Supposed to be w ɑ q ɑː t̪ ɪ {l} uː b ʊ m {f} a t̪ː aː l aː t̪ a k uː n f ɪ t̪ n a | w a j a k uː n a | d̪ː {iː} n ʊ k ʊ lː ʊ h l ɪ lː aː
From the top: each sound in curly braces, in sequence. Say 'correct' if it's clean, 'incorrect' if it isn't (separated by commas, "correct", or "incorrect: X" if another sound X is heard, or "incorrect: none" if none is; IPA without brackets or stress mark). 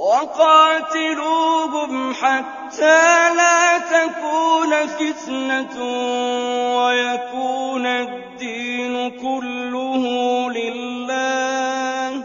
correct, incorrect: ħ, correct